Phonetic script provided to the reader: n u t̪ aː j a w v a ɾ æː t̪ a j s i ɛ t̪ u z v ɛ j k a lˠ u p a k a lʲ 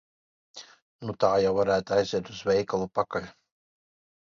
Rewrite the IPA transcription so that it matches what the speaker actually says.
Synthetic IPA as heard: n u t̪ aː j a w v a ɾ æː t̪ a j z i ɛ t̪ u z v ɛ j k a lˠ u p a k a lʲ